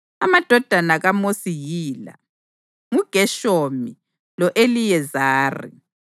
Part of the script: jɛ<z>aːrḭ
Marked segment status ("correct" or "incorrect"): correct